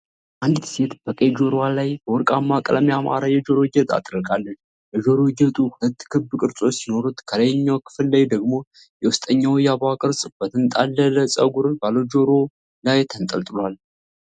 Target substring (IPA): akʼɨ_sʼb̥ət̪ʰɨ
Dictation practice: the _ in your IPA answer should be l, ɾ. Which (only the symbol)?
ɾ